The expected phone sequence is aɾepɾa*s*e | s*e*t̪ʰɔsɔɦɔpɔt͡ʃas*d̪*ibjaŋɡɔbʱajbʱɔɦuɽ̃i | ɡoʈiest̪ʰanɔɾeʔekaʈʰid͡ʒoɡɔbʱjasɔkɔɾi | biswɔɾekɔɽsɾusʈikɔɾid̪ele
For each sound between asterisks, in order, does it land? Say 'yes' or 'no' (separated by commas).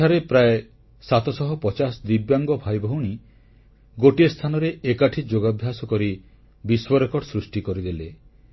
no, no, yes